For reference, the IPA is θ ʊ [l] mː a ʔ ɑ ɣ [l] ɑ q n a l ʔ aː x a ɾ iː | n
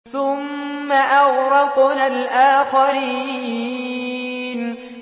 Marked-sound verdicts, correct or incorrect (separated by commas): incorrect, incorrect